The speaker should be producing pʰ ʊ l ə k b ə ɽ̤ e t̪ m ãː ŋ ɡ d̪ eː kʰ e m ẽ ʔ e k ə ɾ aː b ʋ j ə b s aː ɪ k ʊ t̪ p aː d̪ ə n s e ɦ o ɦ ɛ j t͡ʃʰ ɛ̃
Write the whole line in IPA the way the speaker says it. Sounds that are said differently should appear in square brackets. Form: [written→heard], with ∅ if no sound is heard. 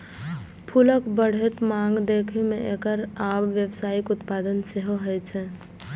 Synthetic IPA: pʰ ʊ l ə k b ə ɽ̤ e t̪ m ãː ŋ ɡ d̪ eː kʰ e m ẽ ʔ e k ə ɾ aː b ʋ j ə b s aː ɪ k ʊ t̪ p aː d̪ ə n s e ɦ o ɦ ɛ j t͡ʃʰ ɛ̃